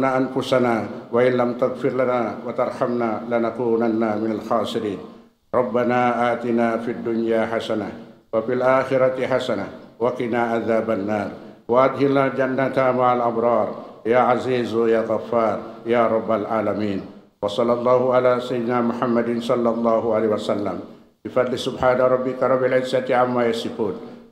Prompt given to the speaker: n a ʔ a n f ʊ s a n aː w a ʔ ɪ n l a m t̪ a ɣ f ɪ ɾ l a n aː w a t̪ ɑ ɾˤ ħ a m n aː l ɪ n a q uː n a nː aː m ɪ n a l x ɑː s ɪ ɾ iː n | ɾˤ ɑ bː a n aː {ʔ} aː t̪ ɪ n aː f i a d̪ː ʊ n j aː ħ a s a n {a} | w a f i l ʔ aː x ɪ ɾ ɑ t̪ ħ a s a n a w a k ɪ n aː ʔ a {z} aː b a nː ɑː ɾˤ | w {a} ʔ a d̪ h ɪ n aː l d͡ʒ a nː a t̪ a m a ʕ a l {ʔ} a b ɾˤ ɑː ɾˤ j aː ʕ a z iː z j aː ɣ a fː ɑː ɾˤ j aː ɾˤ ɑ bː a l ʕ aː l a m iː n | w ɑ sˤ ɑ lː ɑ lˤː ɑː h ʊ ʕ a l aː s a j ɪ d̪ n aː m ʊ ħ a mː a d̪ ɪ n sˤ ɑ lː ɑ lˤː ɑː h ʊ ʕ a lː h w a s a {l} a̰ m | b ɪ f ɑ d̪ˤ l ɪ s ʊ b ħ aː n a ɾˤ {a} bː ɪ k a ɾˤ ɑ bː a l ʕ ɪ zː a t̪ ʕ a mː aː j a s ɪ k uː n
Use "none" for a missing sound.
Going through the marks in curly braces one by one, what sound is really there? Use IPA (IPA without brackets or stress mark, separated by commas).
ʔ, a, ð, a, ʔ, lː, ɑ